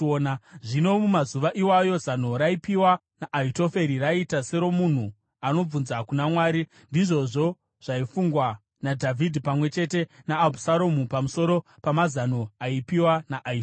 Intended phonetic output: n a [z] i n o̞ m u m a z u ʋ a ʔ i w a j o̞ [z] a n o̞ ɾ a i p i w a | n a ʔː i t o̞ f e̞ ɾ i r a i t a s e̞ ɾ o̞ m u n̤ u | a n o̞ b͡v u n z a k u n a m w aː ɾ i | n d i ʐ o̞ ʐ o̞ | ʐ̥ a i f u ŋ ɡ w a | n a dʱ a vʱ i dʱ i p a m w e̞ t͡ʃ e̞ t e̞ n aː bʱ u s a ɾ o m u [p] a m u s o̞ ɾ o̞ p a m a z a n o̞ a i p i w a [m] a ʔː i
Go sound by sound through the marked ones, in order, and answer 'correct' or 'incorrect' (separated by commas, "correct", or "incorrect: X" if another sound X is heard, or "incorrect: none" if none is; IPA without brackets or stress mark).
incorrect: ʐ, correct, correct, incorrect: n